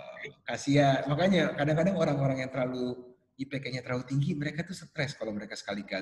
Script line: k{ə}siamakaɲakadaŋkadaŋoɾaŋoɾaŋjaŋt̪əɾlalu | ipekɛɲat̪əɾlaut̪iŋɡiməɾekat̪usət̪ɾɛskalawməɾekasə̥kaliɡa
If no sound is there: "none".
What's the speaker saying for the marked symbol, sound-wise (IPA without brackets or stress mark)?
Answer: a